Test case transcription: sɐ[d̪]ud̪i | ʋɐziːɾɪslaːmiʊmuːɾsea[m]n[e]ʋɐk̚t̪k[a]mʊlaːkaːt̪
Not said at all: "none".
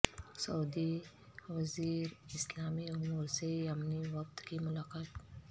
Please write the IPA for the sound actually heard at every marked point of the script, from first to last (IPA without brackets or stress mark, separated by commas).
none, m, i, i